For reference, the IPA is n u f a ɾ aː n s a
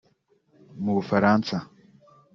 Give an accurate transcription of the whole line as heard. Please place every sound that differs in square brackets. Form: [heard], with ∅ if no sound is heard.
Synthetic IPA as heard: [m] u f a ɾ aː n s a